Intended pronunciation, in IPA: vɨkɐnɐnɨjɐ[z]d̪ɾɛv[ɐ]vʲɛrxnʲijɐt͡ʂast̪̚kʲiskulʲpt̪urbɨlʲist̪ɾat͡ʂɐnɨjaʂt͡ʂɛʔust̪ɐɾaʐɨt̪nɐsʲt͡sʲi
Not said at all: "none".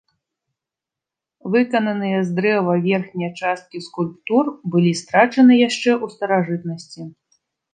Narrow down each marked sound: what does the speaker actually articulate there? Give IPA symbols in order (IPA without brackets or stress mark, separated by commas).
z, ɐ